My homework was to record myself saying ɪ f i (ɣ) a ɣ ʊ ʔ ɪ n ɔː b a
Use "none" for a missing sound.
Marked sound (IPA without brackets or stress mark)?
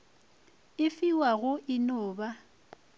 w